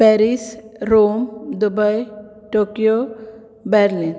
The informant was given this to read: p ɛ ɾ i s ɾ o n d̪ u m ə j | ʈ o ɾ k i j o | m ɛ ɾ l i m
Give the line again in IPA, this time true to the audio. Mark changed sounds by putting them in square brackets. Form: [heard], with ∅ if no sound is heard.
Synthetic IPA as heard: p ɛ ɾ i s ɾ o [m] d̪ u [b] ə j | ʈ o [∅] k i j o | [b] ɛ ɾ l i [n]